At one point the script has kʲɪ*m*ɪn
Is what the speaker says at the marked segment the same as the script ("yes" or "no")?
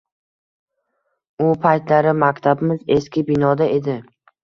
no